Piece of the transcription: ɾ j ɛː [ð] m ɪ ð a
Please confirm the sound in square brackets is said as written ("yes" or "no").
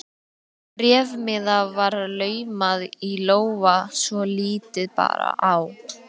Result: no